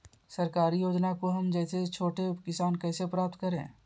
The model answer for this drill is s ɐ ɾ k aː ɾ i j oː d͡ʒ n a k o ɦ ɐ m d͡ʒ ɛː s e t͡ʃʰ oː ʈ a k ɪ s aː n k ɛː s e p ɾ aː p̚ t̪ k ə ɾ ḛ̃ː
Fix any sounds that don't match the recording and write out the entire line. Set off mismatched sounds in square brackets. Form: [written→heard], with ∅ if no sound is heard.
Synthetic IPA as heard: s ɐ ɾ k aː ɾ i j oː d͡ʒ n a k o ɦ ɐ m d͡ʒ ɛː s e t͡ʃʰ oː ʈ [a→e] k ɪ s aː n k ɛː s e p ɾ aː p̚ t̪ k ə ɾ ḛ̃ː